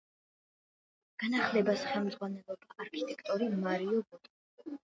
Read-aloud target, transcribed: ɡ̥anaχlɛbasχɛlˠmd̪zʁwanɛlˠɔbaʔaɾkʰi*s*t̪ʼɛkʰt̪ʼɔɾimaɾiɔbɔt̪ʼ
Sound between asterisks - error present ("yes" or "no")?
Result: yes